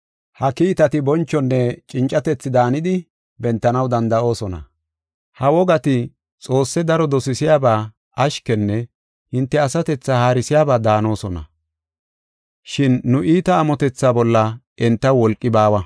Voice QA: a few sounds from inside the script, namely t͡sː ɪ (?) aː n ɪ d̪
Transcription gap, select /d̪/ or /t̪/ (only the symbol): d̪